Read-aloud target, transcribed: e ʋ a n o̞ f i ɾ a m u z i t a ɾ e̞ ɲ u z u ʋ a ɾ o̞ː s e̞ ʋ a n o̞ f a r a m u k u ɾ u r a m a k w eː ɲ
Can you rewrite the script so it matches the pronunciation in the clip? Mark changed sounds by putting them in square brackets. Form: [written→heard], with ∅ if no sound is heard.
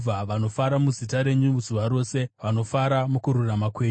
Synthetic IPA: [e→a] ʋ a n o̞ f [i→a] ɾ a m u z i t a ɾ e̞ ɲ u z u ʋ a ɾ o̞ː s e̞ ʋ a n o̞ f a [r→ɾ] a m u k u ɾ u r a m a k w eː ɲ